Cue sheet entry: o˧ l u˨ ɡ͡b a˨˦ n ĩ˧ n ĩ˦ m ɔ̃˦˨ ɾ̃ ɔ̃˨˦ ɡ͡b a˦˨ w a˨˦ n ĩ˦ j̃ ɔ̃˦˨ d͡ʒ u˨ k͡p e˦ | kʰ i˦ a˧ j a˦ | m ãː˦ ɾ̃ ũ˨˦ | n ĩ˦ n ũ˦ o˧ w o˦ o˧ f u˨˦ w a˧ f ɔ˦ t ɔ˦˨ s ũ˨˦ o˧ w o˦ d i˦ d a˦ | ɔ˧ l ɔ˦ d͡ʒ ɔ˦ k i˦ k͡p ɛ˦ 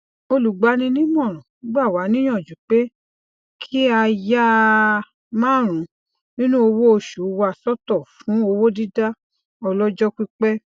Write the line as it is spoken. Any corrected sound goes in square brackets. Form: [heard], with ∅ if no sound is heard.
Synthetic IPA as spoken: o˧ l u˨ ɡ͡b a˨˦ n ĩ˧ n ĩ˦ m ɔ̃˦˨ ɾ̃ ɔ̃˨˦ ɡ͡b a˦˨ w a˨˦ n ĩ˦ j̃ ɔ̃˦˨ d͡ʒ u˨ k͡p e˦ | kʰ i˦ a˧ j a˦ | m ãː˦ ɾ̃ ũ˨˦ | n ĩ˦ n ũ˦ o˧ w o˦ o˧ [ʃ] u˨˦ w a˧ [s] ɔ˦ t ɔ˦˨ [f] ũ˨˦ o˧ w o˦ d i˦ d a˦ | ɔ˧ l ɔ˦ d͡ʒ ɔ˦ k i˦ k͡p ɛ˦